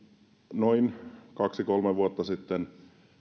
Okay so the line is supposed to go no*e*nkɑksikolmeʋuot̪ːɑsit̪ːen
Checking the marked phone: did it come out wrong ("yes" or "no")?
yes